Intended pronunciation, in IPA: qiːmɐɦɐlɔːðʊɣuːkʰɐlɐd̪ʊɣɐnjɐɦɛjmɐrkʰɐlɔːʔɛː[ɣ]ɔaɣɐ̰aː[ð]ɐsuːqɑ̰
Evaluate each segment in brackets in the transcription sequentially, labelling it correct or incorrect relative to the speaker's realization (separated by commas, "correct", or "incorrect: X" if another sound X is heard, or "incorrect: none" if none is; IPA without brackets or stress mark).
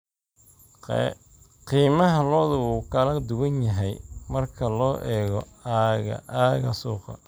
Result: correct, incorrect: ɣ